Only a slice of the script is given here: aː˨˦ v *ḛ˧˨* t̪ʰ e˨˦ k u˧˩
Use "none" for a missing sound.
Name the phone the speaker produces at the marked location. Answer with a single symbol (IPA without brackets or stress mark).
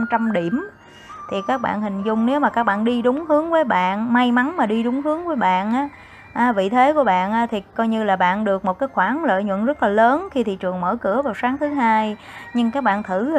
ḭ˧˨